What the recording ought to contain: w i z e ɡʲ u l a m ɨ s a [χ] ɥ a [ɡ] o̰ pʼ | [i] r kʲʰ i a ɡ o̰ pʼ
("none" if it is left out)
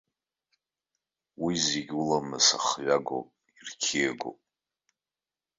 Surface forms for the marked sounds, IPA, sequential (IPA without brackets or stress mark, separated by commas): χ, ɡ, i